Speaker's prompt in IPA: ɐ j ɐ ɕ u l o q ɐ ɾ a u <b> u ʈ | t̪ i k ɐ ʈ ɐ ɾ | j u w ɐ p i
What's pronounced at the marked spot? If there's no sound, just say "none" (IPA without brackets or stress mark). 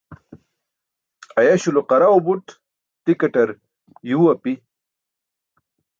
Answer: b